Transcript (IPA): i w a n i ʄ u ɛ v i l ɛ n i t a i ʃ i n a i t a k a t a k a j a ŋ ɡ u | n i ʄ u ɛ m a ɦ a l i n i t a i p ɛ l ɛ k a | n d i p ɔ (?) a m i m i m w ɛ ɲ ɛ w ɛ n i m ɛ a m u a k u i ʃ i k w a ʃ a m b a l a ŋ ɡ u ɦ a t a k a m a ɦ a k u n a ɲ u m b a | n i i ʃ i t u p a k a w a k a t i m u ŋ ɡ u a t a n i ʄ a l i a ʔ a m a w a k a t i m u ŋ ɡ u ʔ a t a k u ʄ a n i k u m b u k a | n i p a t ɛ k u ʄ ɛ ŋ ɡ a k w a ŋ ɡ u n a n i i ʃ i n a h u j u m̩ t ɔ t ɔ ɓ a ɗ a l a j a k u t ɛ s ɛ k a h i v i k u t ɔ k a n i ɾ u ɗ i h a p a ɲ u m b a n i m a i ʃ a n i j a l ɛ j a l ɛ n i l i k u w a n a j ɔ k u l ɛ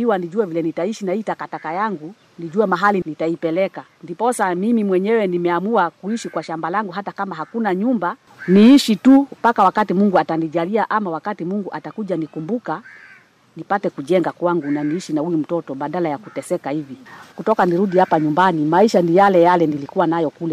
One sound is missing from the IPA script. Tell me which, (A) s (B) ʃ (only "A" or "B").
A